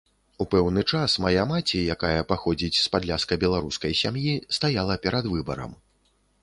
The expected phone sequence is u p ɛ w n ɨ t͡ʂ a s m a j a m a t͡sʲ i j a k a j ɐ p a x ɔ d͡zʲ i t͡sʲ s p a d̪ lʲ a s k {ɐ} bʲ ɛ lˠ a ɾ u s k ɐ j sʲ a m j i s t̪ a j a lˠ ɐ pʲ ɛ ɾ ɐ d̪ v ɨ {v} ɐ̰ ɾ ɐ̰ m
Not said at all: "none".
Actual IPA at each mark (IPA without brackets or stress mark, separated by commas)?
ɐ, b